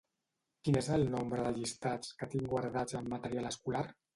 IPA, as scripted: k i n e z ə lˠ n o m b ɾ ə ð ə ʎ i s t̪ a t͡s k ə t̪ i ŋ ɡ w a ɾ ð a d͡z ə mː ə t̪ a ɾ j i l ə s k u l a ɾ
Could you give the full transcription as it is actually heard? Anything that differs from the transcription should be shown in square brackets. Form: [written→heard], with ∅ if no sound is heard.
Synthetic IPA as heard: k i n e z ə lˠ n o m b ɾ ə ð ə ʎ i s t̪ a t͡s k ə t̪ i ŋ ɡ w a ɾ ð a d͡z ə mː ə t̪ [a→ə] ɾ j [i→a] l ə s k u l a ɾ